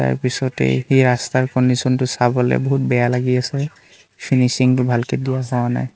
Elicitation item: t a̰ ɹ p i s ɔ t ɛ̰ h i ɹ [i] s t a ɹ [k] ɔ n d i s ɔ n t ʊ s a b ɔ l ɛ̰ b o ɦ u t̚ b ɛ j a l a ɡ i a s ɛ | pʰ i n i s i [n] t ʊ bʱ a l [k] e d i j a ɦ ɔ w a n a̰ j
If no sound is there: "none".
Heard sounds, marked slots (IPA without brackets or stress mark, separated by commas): a, k, ŋ, k